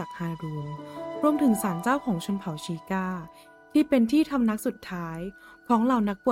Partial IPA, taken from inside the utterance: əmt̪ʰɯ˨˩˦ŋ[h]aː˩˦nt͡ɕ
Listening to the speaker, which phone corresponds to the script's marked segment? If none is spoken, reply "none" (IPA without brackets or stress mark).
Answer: s